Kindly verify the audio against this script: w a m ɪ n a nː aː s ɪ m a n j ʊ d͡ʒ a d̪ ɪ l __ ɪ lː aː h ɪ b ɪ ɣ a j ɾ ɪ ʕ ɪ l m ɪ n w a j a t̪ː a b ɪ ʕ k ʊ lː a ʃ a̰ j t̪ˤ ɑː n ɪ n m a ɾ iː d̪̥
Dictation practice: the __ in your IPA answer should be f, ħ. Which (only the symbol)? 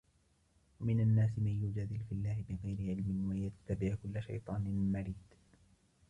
f